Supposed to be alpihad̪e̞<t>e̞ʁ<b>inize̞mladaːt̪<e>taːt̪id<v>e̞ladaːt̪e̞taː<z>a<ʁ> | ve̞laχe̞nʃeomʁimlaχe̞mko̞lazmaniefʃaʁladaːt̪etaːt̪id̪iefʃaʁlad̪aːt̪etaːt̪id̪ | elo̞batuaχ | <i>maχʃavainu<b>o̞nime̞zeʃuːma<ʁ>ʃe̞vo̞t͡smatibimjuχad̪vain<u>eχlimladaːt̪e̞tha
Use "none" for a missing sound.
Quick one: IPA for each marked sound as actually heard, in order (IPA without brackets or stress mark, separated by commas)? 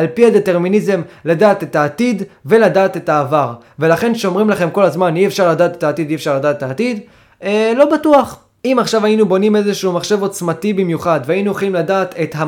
t, m, e, v, v, ʁ, i, b, χ, u